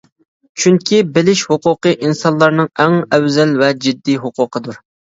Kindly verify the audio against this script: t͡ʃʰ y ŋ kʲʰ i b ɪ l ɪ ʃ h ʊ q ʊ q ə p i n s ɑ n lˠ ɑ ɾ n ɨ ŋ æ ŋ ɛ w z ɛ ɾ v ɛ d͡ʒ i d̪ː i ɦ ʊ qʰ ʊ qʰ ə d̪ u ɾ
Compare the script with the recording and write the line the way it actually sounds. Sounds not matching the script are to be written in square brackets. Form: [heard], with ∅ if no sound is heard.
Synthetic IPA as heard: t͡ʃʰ y ŋ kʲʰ i b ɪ l ɪ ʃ h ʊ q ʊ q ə [ʔ] i n s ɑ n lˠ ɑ ɾ n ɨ ŋ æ ŋ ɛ w z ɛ [l] v ɛ d͡ʒ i d̪ː i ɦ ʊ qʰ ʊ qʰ ə d̪ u ɾ

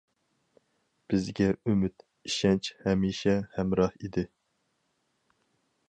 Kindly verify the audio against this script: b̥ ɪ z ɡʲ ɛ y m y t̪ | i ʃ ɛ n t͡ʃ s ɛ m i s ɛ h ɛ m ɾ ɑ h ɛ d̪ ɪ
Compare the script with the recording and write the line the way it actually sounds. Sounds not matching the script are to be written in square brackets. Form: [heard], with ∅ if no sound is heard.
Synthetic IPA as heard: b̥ ɪ z ɡʲ ɛ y m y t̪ | i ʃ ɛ n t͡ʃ [h] ɛ m i [ʃ] ɛ h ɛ m ɾ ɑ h [i] d̪ ɪ

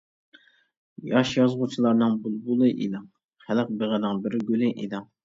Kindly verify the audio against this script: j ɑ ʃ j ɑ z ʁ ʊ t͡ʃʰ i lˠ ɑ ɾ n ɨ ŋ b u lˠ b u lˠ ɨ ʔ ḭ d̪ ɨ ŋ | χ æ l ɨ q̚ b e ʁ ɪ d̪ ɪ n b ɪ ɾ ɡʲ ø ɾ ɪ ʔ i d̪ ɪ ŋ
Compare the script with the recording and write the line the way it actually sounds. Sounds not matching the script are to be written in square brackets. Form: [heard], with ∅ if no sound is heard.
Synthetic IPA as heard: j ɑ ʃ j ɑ z ʁ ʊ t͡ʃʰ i lˠ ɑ ɾ n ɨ ŋ b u lˠ b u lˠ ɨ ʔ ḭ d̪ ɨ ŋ | χ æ l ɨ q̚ b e ʁ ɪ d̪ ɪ [ŋ] b ɪ ɾ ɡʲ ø [l] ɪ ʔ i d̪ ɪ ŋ

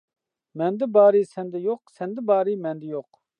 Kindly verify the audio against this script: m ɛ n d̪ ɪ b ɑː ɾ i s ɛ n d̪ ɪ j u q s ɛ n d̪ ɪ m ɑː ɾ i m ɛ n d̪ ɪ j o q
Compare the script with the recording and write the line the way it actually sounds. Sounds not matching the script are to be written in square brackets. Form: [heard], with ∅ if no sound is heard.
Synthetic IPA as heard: m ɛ n d̪ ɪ b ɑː ɾ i s ɛ n d̪ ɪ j [o] q s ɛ n d̪ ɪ [b] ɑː ɾ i m ɛ n d̪ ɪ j o q

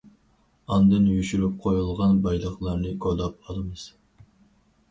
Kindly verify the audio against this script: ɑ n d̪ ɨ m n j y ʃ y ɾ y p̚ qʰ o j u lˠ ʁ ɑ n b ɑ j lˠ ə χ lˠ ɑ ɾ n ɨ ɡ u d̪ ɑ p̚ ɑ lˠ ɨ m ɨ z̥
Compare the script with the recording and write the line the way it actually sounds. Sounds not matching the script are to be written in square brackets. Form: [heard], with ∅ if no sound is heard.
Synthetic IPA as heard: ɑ n d̪ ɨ [∅] n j y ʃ y ɾ y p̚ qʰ o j u lˠ ʁ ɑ n b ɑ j lˠ ə χ lˠ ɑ ɾ n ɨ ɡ [o] d̪ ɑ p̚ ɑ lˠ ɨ m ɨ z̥

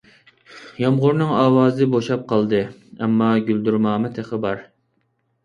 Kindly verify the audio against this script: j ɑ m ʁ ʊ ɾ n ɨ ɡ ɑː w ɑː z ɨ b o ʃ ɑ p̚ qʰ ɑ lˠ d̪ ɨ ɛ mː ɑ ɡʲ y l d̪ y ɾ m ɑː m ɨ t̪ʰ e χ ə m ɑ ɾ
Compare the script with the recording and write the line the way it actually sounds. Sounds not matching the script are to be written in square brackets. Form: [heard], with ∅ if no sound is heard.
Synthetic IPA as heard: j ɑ m ʁ ʊ ɾ n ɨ [ŋ] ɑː w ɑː z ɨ b o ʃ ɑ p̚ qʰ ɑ lˠ d̪ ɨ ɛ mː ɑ ɡʲ y l d̪ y ɾ m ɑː m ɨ t̪ʰ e χ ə [b] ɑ ɾ

